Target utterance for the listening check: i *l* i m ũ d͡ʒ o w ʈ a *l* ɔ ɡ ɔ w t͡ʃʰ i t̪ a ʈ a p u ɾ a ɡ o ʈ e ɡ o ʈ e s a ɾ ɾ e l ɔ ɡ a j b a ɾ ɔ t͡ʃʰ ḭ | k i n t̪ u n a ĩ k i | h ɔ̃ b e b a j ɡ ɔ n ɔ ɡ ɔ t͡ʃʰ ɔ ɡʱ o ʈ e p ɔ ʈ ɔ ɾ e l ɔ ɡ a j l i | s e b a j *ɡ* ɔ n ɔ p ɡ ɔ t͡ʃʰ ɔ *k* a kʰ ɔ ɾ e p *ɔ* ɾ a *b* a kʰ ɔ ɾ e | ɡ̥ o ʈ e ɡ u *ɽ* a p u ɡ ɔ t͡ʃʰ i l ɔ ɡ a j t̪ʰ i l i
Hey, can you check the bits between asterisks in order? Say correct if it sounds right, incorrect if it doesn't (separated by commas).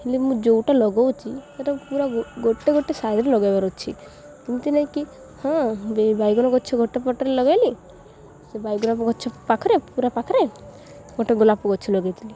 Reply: correct, correct, correct, incorrect, incorrect, incorrect, incorrect